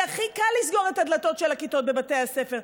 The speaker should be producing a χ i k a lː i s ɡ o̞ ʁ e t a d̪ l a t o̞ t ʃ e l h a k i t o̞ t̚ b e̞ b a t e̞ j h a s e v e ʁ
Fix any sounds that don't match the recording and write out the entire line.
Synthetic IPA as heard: a χ i k a lː i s ɡ o̞ ʁ e t a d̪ l a t o̞ t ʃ e l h a k i t o̞ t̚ b e̞ b a t e̞ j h a s e f e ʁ